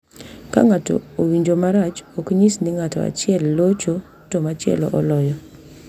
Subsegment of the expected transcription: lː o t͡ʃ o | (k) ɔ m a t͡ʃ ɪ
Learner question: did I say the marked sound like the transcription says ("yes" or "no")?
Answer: no